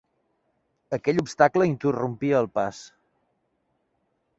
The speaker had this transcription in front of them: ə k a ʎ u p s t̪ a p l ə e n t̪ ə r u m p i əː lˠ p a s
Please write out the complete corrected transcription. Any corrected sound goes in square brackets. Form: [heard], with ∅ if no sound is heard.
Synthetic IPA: ə k [ɛ] ʎ u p s t̪ a [k] l ə [i] n t̪ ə r u m p i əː lˠ p a s